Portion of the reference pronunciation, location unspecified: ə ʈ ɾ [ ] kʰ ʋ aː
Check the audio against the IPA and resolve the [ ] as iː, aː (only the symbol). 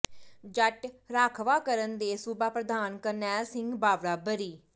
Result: aː